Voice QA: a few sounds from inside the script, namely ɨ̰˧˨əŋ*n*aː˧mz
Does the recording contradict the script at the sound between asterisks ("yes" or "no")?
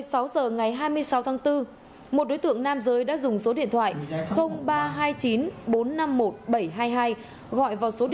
no